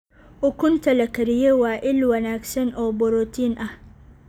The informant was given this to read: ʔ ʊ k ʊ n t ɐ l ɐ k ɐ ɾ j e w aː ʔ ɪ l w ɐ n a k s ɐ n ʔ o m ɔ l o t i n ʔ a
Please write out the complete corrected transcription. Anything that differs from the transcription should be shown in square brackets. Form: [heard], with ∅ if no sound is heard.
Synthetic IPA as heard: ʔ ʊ k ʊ n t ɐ l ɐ k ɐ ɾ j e w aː ʔ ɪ l w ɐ n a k s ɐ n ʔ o [b] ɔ [ɾ] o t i n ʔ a